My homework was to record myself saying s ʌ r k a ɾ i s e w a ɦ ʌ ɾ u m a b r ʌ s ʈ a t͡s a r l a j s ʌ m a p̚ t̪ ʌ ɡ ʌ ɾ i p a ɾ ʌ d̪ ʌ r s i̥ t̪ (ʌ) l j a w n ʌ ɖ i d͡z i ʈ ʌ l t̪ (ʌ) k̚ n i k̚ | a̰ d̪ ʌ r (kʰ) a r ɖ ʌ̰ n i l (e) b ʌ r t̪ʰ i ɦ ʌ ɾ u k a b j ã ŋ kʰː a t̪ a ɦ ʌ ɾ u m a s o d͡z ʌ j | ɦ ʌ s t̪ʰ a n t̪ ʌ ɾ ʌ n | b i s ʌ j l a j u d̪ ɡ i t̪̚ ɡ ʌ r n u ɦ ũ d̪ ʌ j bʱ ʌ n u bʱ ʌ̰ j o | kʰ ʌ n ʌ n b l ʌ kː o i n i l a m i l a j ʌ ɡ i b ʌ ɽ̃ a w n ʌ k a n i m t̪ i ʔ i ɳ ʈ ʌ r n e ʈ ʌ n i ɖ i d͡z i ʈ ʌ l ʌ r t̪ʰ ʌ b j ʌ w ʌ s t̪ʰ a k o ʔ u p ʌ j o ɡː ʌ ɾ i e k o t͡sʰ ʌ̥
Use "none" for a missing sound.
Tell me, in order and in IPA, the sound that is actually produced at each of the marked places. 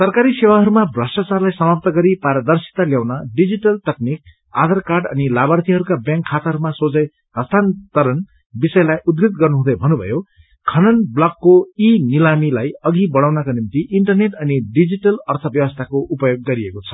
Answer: a, ʌ, k, a

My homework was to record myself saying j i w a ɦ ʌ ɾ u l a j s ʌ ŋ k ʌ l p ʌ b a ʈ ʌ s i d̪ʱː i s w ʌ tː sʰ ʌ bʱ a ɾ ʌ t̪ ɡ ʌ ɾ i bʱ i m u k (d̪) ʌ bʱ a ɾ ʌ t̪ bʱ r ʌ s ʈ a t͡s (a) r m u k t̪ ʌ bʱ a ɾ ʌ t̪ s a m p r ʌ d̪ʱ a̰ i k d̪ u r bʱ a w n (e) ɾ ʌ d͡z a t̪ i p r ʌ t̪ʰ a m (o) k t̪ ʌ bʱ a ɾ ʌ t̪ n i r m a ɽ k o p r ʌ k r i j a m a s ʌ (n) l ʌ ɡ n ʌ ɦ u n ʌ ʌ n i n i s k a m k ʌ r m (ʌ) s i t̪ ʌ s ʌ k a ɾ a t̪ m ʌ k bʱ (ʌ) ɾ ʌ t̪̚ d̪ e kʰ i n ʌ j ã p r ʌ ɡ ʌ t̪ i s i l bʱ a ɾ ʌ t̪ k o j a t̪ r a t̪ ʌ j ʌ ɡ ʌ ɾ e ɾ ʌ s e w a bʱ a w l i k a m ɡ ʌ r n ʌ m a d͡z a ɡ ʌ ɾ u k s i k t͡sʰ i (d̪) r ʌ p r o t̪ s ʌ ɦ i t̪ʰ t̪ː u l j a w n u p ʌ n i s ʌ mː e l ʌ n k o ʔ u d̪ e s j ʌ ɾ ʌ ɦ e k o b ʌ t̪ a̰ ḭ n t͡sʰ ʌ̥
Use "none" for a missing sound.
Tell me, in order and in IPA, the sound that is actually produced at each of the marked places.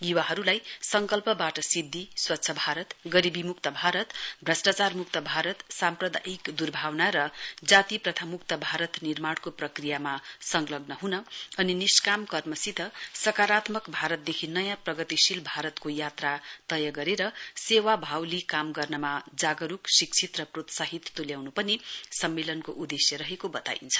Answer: t̪, a, a, u, ŋ, ʌ, a, t̪

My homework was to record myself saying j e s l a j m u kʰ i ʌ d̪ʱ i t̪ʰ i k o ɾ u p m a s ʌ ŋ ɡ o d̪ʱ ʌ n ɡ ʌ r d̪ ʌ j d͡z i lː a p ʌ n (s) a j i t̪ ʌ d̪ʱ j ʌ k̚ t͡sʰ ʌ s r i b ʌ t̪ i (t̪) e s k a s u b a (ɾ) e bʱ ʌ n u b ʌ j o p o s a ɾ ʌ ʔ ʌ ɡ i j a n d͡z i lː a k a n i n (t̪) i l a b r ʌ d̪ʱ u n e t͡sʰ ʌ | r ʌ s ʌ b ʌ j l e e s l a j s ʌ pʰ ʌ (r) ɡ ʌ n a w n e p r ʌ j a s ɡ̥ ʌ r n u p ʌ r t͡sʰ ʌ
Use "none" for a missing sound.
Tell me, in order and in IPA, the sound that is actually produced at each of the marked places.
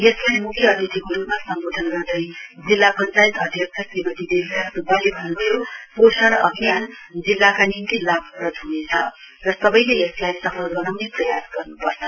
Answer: t͡s, d̪, l, t̪, l

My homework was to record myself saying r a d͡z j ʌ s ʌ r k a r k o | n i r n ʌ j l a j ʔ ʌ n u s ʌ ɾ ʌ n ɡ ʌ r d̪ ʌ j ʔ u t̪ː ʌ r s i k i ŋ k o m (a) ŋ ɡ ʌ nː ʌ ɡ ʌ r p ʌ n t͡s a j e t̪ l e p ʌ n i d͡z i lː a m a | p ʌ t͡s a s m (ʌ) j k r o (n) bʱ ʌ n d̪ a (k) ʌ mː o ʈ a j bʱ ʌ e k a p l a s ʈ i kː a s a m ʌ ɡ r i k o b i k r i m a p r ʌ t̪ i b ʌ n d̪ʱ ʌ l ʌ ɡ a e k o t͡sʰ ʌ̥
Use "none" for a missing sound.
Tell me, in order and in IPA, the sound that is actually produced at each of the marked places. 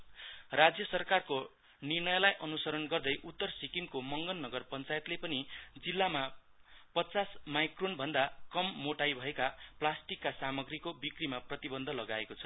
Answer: ʌ, a, n, k

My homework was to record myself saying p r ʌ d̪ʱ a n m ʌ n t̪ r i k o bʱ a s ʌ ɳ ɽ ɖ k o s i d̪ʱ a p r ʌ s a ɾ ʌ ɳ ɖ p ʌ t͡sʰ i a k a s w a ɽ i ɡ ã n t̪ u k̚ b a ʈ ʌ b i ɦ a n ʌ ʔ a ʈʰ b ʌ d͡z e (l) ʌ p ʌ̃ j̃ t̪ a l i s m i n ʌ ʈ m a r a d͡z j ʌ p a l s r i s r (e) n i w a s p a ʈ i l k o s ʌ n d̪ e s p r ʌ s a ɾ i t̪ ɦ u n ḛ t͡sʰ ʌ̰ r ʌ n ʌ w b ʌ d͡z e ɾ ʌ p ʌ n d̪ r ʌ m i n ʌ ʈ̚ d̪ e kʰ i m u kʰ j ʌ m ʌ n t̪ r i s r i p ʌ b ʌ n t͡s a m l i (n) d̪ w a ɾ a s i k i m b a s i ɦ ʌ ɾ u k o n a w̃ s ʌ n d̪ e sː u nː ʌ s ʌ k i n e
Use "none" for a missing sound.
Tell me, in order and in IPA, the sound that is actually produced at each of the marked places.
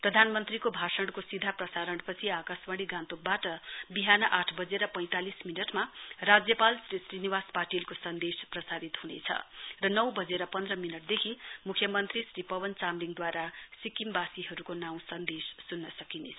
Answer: ɾ, i, ŋ

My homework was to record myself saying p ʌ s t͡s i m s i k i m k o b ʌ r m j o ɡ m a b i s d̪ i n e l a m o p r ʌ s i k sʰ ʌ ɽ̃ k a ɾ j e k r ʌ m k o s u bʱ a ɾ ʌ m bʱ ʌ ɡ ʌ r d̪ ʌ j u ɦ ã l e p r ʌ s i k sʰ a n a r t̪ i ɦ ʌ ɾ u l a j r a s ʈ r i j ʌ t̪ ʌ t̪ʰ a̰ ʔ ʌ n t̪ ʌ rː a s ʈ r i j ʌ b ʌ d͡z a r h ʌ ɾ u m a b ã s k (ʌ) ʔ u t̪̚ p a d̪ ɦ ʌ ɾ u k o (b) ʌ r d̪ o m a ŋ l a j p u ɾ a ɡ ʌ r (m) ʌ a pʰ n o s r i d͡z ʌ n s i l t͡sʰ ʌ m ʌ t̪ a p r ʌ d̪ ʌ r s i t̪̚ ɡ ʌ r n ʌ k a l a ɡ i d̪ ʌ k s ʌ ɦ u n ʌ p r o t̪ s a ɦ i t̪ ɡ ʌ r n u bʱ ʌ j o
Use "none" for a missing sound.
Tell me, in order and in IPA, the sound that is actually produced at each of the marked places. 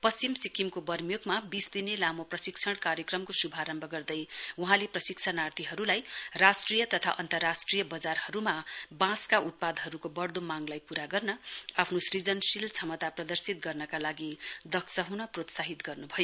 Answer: a, b, n

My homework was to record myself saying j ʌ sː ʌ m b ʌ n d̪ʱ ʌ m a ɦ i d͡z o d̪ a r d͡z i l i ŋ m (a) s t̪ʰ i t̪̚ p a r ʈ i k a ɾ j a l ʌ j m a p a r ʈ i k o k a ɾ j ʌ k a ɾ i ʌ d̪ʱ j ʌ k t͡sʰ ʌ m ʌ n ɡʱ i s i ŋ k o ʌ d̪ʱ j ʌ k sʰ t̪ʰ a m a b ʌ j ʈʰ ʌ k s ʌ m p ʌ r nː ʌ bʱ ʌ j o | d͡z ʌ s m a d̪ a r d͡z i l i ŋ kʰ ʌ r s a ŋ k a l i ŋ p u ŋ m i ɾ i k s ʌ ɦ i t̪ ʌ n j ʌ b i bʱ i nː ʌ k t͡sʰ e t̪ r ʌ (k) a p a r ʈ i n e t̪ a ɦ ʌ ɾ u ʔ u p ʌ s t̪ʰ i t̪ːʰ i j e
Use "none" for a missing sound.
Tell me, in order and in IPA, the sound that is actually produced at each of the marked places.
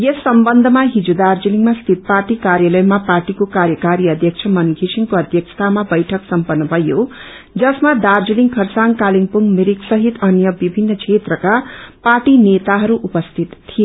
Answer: a, k

